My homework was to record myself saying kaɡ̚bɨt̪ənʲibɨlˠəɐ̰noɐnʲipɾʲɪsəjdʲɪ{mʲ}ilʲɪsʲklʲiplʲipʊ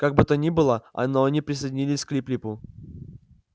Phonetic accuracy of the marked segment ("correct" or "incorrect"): incorrect